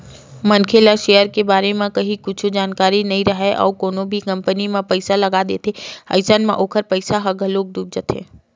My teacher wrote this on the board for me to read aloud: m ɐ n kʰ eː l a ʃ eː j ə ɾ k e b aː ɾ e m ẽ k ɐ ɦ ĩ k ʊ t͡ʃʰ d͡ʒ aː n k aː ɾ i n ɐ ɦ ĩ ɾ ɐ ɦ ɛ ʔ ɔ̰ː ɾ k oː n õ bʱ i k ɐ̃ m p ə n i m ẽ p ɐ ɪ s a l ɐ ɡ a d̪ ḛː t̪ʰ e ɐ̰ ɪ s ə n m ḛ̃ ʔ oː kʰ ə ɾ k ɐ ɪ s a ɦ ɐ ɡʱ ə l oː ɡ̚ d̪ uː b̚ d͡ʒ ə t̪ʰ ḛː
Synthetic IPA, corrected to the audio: m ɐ n kʰ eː l a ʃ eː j ə ɾ k e b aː ɾ e m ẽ k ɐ ɦ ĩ k ʊ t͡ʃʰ d͡ʒ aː n k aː ɾ i n ɐ ɦ ĩ ɾ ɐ ɦ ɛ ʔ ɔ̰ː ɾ k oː n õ bʱ i k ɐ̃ m p ə n i m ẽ p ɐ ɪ s a l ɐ ɡ a d̪ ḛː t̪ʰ e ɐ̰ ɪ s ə n m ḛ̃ ʔ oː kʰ ə ɾ p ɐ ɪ s a ɦ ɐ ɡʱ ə l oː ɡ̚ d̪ uː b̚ d͡ʒ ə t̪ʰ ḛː